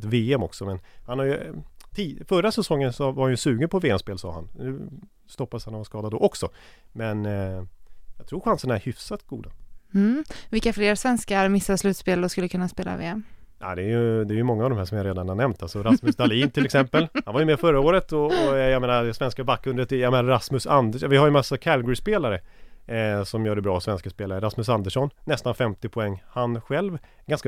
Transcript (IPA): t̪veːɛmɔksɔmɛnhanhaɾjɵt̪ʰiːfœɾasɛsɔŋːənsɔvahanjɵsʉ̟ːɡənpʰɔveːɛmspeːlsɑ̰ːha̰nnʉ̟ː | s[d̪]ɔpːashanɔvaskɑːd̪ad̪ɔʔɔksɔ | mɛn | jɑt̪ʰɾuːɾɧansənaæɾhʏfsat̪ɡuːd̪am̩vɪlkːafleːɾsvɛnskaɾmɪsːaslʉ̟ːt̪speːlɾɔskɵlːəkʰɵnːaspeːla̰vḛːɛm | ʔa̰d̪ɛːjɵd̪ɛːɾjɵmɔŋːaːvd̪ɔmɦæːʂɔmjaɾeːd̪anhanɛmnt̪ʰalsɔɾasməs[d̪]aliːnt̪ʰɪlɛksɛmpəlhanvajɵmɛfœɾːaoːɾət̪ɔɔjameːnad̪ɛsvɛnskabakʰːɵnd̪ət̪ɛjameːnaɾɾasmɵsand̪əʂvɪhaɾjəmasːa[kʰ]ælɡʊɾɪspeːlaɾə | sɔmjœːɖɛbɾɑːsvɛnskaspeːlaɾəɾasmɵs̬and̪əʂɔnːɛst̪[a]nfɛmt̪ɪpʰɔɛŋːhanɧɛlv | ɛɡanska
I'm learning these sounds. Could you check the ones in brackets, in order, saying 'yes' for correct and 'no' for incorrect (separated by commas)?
no, yes, yes, yes